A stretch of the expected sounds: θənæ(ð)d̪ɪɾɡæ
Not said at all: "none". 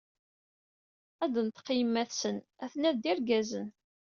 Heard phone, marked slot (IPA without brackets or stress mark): ð